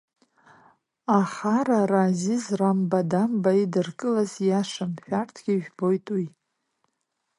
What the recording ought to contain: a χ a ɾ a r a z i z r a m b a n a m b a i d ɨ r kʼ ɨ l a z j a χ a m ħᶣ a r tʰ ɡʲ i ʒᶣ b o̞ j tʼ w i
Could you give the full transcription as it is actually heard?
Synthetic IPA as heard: a χ a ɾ a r a z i z r a m b a d a m b a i d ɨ r kʼ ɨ l a z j a ʂ a m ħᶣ a r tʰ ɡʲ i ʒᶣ b o̞ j tʼ w i